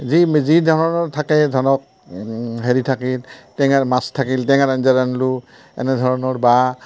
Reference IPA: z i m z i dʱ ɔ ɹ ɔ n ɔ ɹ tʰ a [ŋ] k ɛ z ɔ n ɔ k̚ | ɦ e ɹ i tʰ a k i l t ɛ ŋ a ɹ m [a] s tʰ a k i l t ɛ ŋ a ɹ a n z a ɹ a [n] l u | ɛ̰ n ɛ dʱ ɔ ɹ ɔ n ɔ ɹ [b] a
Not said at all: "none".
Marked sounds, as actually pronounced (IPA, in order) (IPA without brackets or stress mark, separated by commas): none, a, n, b